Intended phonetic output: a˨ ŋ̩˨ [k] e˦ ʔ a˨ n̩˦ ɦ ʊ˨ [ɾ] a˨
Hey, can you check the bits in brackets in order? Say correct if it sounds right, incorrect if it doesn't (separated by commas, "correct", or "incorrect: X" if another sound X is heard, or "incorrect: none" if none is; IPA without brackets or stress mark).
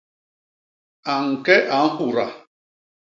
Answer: correct, correct